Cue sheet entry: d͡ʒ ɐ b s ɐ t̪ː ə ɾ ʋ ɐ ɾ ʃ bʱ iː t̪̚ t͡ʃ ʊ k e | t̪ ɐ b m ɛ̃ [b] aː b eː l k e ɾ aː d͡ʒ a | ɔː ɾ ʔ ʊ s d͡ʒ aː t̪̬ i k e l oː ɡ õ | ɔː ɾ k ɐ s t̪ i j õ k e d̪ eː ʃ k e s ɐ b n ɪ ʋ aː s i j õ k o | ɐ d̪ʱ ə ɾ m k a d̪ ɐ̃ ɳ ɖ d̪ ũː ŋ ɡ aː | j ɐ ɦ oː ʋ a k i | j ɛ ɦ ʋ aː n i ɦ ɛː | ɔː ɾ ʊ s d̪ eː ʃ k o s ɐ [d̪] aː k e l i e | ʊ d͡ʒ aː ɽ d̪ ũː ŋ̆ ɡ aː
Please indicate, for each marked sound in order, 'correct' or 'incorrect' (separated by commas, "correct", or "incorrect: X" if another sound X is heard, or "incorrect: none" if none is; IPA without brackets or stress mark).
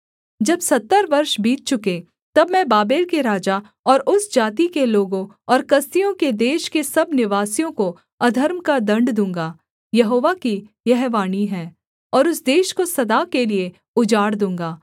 correct, correct